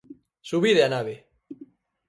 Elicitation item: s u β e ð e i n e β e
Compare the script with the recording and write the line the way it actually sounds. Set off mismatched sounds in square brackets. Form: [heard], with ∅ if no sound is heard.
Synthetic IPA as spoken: s u β [i] ð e [a] n [a] β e